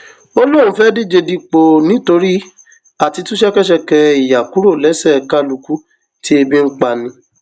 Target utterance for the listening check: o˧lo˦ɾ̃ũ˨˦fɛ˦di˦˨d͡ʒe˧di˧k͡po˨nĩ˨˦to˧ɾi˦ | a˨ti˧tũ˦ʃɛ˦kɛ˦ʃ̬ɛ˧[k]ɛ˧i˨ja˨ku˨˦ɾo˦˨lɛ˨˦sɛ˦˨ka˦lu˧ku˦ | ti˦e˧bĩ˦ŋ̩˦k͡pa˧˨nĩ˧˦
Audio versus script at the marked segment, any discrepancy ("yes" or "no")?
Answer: no